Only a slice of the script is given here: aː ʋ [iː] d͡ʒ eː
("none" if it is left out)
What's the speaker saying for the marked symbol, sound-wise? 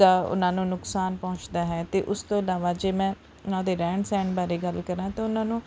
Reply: aː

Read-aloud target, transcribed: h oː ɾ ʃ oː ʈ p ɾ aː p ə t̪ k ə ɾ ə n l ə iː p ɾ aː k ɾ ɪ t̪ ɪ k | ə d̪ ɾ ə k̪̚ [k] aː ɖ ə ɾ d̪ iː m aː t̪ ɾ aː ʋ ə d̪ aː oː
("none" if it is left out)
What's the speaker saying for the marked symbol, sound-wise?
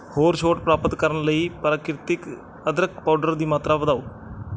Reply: p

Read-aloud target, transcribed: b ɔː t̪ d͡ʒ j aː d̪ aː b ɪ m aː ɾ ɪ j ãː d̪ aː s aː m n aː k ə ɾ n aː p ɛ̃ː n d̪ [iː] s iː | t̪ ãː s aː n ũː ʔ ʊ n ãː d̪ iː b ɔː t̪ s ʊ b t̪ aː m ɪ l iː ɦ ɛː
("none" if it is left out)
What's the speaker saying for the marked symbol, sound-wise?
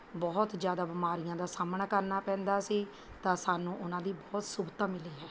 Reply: aː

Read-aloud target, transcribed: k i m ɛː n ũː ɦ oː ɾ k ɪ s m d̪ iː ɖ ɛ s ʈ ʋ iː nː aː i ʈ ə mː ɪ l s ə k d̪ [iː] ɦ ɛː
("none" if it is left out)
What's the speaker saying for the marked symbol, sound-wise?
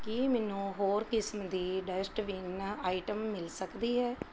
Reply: iː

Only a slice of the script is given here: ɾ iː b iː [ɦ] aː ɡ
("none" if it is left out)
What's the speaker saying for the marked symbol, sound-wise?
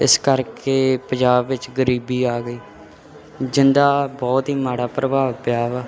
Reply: none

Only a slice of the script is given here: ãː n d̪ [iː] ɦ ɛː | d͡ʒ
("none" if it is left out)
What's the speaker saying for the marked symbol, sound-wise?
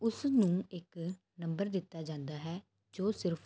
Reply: aː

